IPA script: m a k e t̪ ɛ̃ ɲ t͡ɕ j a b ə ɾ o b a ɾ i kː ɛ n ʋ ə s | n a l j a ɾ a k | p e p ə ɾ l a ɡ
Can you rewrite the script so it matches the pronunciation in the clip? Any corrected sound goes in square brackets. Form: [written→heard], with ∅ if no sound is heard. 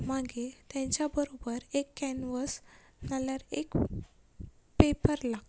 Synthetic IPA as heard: m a [k→ɡ] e t̪ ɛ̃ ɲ t͡ɕ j a b ə ɾ o b [a→ə] ɾ [i→e] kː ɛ n ʋ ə s | n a l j a ɾ [a→e] k | p e p ə ɾ l a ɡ